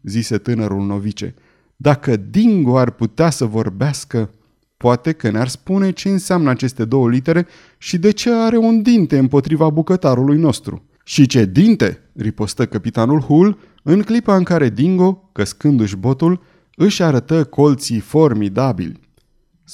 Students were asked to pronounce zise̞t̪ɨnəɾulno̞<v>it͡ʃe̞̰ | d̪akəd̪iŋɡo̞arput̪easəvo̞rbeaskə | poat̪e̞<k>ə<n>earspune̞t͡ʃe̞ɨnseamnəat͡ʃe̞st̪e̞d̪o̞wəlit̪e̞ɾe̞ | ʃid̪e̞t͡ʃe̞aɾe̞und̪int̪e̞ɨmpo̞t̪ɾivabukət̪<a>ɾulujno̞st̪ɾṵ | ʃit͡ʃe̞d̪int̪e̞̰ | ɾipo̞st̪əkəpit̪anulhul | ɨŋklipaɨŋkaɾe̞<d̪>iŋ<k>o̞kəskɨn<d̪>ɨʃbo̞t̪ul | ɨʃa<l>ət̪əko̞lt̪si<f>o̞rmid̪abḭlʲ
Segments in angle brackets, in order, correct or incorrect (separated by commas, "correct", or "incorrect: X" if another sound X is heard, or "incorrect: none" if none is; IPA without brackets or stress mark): correct, correct, correct, correct, correct, incorrect: ɡ, correct, incorrect: ɾ, correct